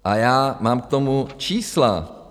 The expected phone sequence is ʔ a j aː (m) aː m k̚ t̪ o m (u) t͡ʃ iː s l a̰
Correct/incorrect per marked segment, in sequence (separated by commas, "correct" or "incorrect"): correct, correct